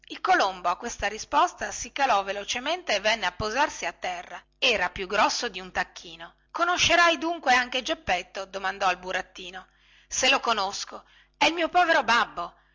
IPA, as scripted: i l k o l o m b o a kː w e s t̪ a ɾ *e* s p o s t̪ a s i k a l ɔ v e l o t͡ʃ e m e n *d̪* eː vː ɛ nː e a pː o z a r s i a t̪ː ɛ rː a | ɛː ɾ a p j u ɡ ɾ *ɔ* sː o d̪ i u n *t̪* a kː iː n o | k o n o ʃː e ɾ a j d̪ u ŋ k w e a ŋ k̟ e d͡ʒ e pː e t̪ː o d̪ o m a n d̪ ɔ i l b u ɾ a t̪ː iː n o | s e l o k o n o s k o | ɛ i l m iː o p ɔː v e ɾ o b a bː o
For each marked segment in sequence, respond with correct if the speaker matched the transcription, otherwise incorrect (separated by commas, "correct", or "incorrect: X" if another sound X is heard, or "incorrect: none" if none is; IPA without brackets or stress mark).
incorrect: i, incorrect: t̪, correct, correct